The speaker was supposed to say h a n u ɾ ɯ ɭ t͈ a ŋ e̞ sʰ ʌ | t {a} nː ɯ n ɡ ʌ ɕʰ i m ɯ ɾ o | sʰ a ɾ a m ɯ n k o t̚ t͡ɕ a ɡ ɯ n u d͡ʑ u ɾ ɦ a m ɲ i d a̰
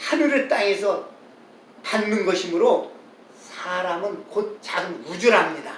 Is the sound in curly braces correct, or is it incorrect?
correct